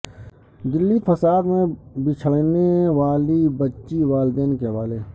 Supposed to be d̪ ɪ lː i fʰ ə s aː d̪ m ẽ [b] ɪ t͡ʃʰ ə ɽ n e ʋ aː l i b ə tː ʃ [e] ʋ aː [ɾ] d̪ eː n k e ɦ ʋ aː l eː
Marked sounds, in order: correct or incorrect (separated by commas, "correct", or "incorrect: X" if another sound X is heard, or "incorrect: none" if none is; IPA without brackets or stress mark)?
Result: correct, incorrect: i, incorrect: l